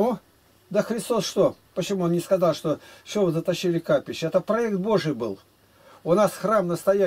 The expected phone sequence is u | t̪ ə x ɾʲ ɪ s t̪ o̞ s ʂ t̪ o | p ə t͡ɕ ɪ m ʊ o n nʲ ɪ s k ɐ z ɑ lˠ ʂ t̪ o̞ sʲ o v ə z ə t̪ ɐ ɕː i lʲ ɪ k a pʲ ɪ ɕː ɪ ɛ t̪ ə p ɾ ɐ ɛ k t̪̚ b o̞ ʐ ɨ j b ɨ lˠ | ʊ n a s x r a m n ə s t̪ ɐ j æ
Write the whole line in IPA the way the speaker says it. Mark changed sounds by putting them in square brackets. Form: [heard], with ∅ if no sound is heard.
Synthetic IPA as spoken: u | [d̪] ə x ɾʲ ɪ s t̪ o̞ s ʂ t̪ o | p ə t͡ɕ ɪ m [u] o n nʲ ɪ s k ɐ z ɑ lˠ ʂ t̪ o̞ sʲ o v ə z ə t̪ ɐ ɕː i lʲ ɪ k a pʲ ɪ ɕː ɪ ɛ t̪ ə p ɾ ɐ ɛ k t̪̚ b o̞ ʐ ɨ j b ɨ lˠ | ʊ n a s x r a m n ə s t̪ ɐ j æ